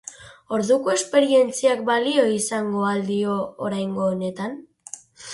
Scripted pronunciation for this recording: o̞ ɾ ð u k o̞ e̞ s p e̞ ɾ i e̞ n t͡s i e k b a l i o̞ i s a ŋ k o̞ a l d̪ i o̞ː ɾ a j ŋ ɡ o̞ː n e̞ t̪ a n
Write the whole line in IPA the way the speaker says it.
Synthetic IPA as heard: o̞ ɾ ð u k o̞ e̞ s p e̞ ɾ i e̞ n t͡s i a k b a l i o̞ i s a ŋ ɡ o̞ a l d̪ i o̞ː ɾ a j ŋ ɡ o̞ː n e̞ t̪ a n